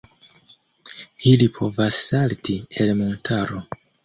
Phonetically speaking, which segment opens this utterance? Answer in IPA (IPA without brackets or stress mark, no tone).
i